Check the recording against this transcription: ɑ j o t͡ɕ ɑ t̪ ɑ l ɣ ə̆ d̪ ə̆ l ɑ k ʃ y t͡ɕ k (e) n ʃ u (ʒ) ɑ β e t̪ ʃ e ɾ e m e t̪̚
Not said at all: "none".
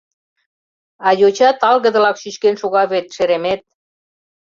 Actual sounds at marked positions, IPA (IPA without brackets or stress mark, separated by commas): e, ɣ